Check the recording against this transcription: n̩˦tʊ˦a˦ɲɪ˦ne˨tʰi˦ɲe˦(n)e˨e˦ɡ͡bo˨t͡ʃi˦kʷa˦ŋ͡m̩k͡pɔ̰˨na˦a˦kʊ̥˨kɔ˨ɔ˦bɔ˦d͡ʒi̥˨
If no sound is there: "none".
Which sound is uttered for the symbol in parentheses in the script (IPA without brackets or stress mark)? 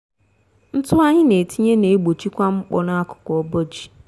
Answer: n